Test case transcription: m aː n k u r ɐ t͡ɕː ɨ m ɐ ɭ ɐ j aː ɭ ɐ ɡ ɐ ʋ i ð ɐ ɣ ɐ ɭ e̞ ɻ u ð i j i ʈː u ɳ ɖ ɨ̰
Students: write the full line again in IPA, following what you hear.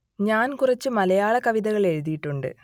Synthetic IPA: ɲ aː n k u r ɐ t͡ɕː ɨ m ɐ l ɐ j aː ɭ ɐ k ɐ ʋ i ð ɐ ɣ ɐ ɭ e̞ ɻ u ð i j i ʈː u ɳ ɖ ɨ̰